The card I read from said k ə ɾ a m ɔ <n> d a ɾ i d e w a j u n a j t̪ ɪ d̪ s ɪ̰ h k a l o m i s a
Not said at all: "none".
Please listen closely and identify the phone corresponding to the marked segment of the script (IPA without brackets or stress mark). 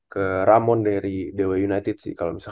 n